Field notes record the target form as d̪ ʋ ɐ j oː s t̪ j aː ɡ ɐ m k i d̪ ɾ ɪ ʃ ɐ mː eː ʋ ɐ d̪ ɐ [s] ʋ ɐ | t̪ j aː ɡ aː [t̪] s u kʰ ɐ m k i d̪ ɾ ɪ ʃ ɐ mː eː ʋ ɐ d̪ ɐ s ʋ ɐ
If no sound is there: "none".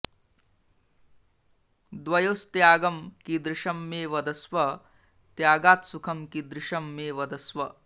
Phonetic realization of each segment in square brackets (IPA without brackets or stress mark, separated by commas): s, t̪